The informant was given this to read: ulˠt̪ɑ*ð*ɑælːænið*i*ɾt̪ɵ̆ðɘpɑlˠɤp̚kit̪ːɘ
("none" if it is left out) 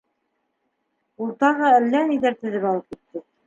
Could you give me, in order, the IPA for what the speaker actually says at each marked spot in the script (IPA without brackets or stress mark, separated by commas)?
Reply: ʁ, æ